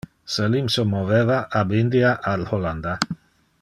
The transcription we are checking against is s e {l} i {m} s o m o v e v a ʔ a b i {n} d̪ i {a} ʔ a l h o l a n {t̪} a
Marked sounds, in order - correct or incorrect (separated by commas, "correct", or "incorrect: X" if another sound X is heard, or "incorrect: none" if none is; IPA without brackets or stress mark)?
correct, correct, correct, correct, incorrect: d̪